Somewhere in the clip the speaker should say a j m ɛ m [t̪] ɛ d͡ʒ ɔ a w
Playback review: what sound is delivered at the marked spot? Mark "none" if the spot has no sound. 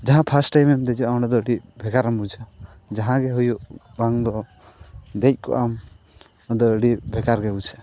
d̪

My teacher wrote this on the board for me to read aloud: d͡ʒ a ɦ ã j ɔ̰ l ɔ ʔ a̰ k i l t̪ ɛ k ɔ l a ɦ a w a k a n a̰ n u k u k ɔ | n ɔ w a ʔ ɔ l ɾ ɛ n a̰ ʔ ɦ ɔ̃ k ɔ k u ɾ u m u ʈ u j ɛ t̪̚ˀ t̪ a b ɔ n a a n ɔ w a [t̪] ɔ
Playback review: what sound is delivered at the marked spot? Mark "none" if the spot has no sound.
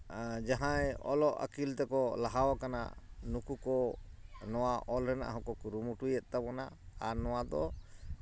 d̪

